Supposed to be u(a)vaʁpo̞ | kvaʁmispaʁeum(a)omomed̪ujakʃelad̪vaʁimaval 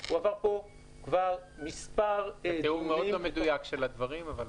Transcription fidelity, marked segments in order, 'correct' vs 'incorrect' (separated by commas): correct, incorrect